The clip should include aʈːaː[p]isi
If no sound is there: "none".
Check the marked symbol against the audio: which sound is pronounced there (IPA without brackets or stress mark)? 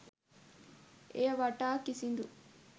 k